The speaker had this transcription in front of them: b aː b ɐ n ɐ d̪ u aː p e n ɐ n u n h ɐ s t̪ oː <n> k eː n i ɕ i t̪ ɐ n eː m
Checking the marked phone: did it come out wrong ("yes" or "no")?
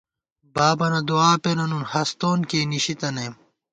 no